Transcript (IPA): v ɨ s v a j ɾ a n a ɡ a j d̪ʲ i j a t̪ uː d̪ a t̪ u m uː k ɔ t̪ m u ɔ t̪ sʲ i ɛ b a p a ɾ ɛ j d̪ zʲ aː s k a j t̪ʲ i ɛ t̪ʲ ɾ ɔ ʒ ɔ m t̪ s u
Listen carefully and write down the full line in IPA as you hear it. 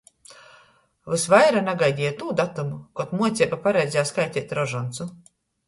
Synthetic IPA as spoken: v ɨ s v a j ɾ a n a ɡ a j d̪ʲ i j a t̪ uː d̪ a t̪ u m u k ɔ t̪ m u ɔ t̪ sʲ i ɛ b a p a ɾ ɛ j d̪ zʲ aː s k a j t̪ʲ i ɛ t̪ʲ ɾ ɔ ʒ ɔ n t̪ s u